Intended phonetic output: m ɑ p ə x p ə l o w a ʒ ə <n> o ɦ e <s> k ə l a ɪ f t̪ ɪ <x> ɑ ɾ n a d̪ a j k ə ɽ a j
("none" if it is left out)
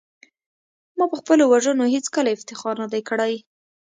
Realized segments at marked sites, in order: n, t͡s, x

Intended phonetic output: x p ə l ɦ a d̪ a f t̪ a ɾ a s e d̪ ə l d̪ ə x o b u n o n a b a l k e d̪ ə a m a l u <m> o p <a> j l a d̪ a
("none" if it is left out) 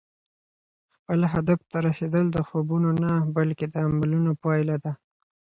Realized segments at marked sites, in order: n, ɑ

